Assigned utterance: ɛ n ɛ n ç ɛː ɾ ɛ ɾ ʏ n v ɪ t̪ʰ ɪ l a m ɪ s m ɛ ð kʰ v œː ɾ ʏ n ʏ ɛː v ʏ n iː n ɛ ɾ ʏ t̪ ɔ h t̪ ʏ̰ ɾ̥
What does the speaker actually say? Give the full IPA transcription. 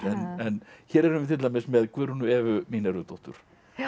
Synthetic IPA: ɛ n ɛ n ç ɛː ɾ ɛ ɾ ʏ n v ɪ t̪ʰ ɪ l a m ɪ s m ɛ ð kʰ v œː ɾ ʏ n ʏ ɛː v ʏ m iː n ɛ ɾ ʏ t̪ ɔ h t̪ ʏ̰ ɾ̥